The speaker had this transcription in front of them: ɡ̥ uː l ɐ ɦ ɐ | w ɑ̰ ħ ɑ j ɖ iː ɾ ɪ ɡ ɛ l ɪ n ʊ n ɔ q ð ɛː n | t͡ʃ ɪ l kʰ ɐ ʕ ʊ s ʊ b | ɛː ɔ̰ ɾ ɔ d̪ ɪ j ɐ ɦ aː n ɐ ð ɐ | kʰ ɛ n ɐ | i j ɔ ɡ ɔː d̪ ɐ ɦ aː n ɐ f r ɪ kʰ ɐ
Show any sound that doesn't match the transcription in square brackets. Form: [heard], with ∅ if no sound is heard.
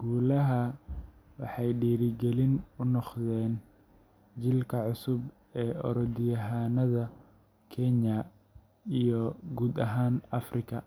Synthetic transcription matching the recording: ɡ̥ uː l ɐ ɦ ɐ | w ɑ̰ ħ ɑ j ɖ iː ɾ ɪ ɡ ɛ l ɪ n ʊ n ɔ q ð ɛː n | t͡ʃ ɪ l kʰ ɐ ʕ ʊ s ʊ b | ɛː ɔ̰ ɾ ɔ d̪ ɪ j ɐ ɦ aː n ɐ ð ɐ | kʰ ɛ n ɐ | i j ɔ ɡ [uː] d̪ ɐ ɦ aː n ɐ f r ɪ kʰ ɐ